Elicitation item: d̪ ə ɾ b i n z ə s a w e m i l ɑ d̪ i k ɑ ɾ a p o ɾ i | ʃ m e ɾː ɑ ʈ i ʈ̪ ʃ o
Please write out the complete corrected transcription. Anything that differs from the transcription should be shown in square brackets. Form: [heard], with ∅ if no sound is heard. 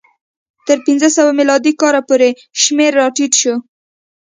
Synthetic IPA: [t̪] ə ɾ [p] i n z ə s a w [a] m i l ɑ d̪ i k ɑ ɾ a p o ɾ [e] | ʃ m e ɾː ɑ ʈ i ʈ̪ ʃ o